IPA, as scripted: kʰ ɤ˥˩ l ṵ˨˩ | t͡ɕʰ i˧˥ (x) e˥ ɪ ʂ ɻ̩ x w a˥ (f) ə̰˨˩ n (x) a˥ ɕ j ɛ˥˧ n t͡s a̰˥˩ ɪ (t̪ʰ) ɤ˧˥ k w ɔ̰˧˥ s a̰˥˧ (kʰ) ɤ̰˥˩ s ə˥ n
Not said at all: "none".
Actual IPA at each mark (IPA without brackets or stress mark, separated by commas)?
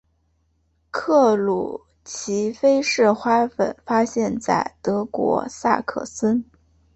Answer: f, f, f, t̪, kʰ